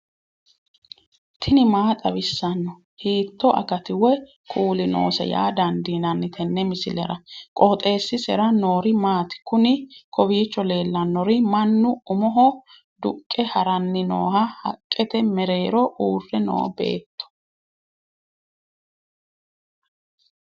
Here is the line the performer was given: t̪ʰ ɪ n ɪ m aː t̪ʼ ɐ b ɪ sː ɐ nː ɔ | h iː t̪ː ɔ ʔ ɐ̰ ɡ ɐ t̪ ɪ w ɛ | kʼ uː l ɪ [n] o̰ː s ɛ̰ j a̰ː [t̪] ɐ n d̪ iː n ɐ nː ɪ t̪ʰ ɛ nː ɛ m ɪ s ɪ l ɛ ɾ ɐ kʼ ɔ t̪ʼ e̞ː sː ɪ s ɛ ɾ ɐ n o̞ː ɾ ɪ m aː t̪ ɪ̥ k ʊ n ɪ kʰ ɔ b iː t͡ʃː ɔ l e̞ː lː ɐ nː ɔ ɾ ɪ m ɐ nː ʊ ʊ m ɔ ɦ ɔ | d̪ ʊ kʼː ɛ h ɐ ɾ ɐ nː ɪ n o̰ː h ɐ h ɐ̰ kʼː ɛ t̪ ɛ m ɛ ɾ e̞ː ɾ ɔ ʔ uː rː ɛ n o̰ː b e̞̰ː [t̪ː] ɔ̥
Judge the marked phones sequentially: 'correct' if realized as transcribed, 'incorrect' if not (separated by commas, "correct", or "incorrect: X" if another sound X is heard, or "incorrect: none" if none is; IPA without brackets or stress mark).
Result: correct, incorrect: d̪, correct